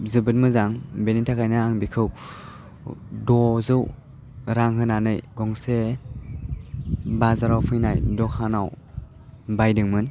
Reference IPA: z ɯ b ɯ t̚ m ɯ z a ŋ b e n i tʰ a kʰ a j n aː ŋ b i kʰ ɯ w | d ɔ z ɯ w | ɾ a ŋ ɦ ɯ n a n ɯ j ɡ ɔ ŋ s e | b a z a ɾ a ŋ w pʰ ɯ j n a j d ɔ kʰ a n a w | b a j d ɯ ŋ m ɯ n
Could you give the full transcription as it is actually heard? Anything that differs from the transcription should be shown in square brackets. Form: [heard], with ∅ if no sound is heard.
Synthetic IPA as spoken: z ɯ b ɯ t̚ m ɯ z a ŋ b e n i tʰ a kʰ a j n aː ŋ b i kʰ ɯ w | d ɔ z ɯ w | ɾ a ŋ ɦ ɯ n a n ɯ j ɡ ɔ ŋ s e | b a z a ɾ a [∅] w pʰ ɯ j n a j d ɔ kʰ a n a w | b a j d ɯ ŋ m ɯ n